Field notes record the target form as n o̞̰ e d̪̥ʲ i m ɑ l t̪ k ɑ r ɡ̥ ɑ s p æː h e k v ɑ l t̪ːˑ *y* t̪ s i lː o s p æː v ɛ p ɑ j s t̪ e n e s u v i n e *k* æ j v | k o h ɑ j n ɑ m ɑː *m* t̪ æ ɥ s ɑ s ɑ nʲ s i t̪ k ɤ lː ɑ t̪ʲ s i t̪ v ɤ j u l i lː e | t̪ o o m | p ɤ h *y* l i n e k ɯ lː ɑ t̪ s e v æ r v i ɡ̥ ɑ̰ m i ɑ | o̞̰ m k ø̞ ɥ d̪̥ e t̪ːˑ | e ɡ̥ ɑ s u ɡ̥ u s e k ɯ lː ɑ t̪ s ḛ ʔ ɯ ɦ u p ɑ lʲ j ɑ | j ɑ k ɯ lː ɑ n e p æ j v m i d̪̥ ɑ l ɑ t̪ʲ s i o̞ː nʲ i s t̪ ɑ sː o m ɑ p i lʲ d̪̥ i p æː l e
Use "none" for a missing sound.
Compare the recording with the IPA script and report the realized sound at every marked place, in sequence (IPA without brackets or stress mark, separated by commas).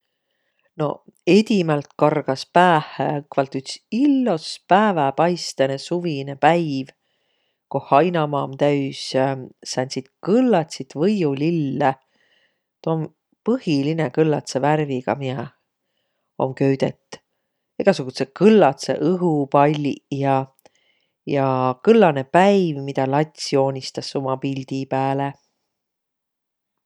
y, p, m, i